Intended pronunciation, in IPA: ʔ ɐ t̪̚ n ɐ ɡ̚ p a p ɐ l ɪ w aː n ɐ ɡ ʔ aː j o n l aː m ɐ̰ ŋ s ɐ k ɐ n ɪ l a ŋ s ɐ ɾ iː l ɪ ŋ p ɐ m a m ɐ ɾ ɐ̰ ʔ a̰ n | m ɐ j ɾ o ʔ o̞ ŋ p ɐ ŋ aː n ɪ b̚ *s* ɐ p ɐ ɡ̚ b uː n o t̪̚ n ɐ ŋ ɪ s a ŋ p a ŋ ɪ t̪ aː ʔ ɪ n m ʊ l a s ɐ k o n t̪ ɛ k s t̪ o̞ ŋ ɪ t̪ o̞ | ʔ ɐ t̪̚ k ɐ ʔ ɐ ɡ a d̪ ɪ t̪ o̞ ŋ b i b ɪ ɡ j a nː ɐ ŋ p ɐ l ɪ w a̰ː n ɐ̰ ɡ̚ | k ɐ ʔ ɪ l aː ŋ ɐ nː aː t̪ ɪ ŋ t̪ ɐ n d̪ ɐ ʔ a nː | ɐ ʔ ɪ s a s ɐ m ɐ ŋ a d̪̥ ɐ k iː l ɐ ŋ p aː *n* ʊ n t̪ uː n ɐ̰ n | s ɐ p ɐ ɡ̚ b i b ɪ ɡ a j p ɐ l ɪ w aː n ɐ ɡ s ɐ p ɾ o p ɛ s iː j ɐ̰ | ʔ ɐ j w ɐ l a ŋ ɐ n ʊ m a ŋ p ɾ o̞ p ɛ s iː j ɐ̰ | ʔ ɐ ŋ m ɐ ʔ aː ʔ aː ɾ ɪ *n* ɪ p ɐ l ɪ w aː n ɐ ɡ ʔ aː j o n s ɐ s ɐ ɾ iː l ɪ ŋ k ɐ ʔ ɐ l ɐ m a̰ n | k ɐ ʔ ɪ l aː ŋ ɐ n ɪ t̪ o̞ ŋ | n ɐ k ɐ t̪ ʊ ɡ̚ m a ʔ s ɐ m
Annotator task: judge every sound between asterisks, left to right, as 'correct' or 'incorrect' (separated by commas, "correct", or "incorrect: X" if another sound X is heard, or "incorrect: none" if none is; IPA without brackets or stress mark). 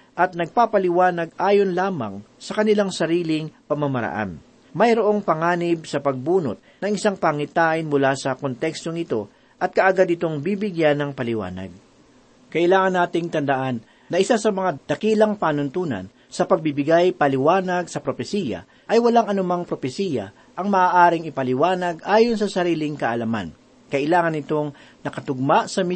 correct, correct, incorrect: ŋ